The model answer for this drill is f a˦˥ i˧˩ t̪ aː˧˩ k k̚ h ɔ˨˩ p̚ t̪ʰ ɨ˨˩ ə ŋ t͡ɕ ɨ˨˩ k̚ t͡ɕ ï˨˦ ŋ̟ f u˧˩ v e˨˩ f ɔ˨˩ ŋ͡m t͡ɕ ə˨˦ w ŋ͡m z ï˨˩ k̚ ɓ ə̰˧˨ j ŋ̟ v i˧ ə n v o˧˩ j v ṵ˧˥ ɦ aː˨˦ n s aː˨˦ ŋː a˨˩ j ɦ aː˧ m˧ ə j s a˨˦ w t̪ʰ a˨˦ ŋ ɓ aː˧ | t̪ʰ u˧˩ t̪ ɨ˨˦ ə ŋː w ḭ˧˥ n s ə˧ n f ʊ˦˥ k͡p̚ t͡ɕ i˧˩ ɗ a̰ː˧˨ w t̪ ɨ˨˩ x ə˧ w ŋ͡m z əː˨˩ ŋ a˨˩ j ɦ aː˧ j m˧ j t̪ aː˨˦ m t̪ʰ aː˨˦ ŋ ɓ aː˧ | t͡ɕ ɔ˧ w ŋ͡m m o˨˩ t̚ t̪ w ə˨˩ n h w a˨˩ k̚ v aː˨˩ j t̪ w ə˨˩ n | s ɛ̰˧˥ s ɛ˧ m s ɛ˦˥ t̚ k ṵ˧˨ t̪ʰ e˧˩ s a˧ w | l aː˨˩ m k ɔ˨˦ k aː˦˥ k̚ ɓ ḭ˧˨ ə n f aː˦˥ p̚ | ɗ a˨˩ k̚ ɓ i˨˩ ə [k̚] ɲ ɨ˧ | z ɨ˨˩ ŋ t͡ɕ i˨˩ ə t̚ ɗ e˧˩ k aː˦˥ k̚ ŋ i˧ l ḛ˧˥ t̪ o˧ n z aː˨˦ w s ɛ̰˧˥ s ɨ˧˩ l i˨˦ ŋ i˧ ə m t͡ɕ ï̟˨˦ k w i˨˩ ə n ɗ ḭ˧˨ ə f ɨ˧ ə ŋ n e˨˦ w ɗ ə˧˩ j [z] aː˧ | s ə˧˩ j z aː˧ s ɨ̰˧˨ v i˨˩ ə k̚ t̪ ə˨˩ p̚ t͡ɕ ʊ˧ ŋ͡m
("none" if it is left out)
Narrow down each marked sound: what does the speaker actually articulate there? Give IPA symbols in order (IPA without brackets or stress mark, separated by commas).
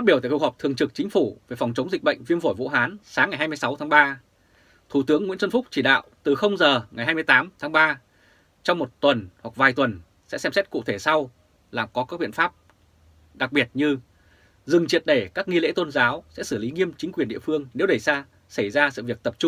t̚, s